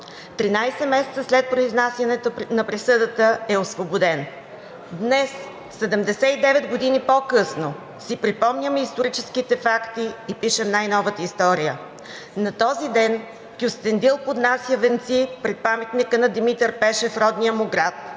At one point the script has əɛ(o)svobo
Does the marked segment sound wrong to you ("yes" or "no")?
no